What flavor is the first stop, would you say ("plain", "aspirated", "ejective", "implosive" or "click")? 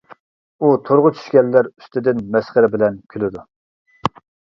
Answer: aspirated